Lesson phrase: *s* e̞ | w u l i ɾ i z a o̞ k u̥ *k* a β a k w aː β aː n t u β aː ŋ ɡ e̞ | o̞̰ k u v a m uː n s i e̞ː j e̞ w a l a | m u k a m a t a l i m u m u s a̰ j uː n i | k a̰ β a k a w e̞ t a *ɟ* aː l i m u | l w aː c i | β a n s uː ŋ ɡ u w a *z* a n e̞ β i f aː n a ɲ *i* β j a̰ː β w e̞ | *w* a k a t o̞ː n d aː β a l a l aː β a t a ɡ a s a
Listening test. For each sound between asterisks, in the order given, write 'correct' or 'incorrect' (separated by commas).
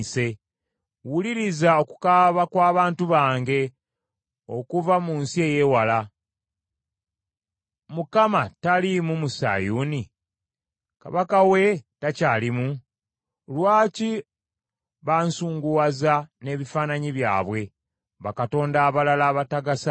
correct, correct, incorrect, correct, correct, incorrect